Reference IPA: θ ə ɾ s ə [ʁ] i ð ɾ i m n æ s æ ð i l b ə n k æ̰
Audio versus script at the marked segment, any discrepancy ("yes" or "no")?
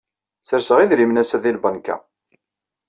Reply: no